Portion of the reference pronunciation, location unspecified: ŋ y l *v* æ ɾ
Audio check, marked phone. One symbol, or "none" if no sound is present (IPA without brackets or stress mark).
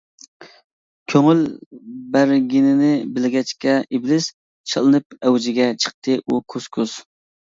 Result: b